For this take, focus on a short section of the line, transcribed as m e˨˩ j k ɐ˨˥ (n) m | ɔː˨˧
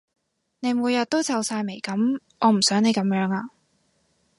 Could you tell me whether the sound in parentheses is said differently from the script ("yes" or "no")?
yes